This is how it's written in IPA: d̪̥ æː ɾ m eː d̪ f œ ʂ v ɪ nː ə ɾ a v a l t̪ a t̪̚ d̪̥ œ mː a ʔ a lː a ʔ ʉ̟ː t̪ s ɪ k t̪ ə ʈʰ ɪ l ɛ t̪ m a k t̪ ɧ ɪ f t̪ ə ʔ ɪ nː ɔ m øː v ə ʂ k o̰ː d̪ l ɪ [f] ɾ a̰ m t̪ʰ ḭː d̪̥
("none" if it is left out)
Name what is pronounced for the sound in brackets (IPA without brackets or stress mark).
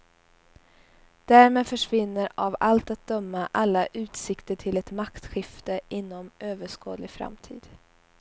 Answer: f